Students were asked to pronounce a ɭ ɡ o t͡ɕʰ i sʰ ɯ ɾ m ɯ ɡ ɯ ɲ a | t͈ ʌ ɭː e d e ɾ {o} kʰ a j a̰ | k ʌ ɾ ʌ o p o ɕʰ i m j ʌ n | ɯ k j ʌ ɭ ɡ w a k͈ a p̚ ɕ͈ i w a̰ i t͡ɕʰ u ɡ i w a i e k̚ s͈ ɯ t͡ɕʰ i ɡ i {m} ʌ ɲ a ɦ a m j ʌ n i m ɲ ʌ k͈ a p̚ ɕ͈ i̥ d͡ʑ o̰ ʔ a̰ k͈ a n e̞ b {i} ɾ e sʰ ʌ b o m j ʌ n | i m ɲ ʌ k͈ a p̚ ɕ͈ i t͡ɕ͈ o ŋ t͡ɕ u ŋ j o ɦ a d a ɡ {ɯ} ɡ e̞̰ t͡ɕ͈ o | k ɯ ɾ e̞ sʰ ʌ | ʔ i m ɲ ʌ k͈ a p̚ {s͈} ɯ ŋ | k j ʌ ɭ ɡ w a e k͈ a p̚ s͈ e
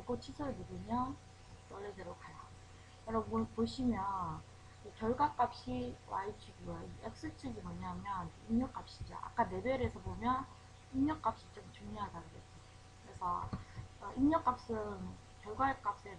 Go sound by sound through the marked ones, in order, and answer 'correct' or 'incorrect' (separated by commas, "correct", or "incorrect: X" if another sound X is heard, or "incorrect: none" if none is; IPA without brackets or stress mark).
correct, correct, incorrect: e, correct, correct